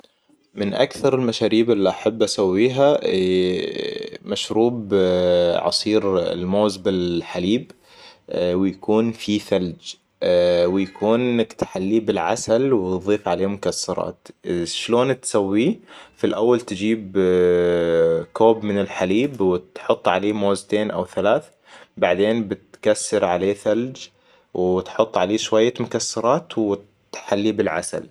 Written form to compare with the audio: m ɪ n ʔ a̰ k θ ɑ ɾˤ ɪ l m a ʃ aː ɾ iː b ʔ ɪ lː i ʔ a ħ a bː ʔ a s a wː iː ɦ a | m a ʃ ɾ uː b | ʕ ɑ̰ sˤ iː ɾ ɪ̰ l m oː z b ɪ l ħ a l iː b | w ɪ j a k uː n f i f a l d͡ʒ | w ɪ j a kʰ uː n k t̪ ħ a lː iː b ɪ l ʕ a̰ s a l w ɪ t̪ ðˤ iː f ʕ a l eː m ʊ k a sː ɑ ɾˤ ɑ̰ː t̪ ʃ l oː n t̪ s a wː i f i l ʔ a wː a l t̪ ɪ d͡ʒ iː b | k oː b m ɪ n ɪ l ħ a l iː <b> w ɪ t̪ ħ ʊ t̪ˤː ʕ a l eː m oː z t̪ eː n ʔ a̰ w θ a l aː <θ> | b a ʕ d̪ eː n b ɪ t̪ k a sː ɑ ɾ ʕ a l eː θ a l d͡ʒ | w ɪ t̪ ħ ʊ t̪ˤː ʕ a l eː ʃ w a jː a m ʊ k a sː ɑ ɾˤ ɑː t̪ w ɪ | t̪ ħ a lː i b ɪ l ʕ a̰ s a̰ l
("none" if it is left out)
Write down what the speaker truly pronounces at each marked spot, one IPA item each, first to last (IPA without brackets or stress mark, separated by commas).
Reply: b, θ